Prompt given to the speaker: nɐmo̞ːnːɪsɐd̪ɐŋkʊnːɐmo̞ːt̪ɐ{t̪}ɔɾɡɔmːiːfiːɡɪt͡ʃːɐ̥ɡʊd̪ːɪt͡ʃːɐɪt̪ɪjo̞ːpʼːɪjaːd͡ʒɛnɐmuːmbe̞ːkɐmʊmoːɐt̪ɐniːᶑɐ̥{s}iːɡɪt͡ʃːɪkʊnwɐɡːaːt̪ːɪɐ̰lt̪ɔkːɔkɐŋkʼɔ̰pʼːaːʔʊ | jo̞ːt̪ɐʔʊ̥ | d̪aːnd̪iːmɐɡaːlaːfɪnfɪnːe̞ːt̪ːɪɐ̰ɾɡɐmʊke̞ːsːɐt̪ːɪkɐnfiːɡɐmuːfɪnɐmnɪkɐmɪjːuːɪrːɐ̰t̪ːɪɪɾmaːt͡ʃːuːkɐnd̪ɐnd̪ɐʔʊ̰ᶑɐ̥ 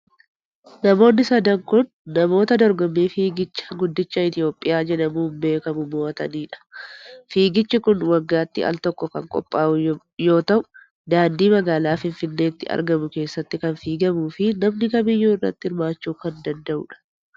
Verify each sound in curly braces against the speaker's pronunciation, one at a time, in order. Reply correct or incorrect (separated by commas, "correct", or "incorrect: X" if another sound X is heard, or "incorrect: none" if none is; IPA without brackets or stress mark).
incorrect: d̪, incorrect: f